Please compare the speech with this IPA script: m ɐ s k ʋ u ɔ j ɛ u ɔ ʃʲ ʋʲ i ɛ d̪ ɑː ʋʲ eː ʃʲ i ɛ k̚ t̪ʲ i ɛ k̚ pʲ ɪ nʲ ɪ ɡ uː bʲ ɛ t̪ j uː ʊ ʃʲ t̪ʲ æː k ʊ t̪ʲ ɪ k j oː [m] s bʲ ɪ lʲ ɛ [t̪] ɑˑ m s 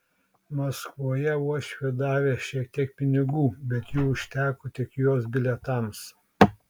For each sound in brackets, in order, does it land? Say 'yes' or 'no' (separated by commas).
no, yes